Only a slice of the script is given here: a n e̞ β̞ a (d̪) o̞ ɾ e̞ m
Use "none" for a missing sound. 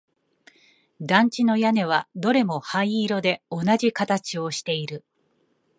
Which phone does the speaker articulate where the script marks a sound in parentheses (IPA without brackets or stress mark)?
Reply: d̪